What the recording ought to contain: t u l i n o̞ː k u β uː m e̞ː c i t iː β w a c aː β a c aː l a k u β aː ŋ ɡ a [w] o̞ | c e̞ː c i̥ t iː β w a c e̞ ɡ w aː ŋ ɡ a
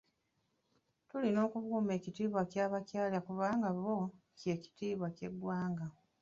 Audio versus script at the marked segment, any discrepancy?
yes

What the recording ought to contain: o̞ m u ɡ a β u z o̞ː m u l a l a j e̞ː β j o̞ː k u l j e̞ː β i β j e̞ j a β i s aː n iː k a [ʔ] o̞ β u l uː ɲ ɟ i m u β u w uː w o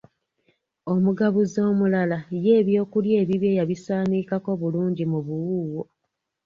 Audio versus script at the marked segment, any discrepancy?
yes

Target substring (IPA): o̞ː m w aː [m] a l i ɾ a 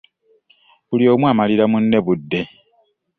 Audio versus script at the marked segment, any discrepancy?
no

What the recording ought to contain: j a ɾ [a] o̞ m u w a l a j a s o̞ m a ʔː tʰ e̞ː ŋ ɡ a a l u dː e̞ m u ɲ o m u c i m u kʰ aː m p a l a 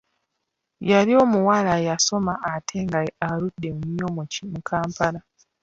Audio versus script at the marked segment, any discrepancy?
yes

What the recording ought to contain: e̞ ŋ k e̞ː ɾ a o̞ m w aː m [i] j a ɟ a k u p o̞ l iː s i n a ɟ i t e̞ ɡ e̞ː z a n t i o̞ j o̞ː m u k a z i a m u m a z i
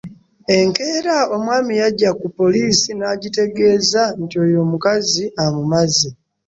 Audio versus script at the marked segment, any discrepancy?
no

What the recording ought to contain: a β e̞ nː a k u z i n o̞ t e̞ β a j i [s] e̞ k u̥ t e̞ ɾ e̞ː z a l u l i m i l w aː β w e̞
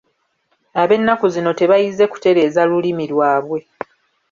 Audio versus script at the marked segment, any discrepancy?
yes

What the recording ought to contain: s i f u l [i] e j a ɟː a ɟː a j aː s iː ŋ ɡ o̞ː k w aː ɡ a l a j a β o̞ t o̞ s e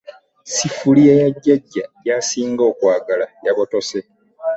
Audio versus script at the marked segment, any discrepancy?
no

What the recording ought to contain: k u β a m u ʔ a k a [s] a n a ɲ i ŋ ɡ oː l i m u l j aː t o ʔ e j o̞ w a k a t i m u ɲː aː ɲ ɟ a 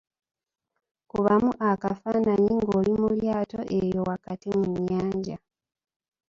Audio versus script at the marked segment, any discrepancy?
yes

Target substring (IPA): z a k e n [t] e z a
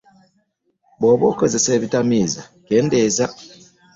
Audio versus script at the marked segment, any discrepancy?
yes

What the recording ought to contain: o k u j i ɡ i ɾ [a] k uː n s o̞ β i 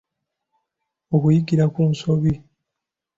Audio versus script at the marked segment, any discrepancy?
no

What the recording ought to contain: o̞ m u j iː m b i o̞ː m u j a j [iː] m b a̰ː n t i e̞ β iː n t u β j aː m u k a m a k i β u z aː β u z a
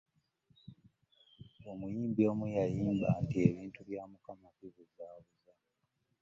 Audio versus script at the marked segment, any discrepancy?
no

